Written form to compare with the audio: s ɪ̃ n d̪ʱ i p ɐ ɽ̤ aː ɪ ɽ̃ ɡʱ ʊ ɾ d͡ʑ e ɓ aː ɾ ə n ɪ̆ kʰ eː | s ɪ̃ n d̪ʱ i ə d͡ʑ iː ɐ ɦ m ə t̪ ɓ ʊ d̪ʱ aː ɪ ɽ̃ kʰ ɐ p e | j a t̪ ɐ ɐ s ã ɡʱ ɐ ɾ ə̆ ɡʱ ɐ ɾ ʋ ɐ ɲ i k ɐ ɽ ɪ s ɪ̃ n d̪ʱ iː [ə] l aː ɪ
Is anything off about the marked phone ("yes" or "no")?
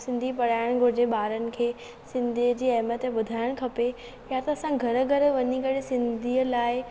no